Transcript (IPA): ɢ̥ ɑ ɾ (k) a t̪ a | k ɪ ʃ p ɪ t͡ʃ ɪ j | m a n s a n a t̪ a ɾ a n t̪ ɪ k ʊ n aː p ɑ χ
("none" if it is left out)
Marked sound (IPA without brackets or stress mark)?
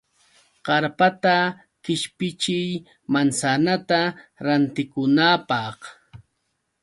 p